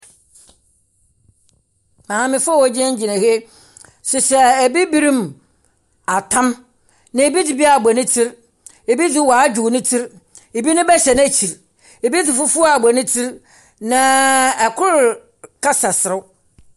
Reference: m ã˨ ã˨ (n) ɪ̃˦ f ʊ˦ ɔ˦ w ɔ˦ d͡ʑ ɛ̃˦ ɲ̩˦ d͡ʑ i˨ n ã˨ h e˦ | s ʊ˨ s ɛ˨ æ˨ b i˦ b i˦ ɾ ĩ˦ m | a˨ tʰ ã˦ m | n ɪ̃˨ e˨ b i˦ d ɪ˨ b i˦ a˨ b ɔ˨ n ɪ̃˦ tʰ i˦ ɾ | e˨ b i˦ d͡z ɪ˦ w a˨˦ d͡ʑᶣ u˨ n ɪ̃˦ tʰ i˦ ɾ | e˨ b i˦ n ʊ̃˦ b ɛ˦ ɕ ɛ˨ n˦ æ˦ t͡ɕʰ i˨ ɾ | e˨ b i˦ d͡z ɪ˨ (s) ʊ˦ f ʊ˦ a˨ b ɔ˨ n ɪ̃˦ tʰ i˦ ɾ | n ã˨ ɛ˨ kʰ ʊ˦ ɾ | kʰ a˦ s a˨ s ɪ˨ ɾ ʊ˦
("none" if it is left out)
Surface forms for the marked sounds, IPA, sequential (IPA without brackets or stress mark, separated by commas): m, f